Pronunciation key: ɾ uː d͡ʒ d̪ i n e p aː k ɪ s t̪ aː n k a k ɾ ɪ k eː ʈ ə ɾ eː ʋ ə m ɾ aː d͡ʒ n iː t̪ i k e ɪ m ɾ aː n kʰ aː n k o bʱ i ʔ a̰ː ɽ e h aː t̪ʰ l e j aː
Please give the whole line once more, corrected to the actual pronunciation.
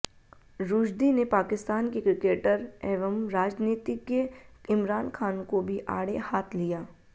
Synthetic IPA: ɾ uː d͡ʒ d̪ i n e p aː k ɪ s t̪ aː n k e k ɾ ɪ k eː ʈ ə ɾ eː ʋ ə m ɾ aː d͡ʒ n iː t̪ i k e ɪ m ɾ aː n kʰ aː n k o bʱ i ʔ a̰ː ɽ e h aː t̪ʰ l i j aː

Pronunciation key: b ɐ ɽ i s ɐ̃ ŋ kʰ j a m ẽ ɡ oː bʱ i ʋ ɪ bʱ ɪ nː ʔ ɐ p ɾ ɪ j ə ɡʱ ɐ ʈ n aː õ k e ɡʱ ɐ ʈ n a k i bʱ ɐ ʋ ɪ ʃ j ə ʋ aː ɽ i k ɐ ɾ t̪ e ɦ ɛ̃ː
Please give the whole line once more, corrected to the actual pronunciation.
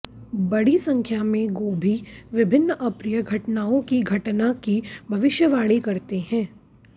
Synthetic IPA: b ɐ ɽ i s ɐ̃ ŋ kʰ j a m ẽ ɡ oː bʱ i ʋ ɪ bʱ ɪ nː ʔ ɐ p ɾ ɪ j ə ɡʱ ɐ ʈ n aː õ k i ɡʱ ɐ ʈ n a k i bʱ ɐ ʋ ɪ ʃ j ə ʋ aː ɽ i k ɐ ɾ t̪ e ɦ ɛ̃ː

